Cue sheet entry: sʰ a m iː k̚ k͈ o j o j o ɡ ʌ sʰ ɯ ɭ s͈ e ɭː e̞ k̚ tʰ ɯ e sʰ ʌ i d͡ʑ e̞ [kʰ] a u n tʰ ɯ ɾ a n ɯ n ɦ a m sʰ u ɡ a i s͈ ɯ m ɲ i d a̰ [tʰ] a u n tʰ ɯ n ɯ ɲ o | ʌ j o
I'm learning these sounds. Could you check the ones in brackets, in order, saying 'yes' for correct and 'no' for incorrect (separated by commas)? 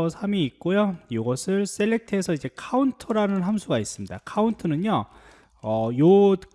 yes, no